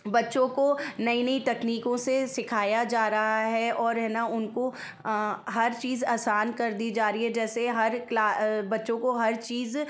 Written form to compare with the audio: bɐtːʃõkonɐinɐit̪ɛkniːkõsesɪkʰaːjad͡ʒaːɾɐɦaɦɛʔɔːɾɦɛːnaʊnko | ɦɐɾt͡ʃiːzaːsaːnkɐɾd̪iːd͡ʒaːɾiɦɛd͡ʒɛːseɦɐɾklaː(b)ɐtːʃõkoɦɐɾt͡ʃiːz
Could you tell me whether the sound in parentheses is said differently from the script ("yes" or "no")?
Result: no